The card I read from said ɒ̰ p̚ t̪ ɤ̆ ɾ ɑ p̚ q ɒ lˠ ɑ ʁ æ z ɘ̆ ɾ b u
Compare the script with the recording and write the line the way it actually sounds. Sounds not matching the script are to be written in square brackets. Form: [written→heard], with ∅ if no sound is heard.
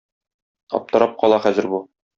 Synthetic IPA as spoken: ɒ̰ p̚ t̪ ɤ̆ ɾ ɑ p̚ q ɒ lˠ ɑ [ʁ→χ] æ z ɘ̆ ɾ b u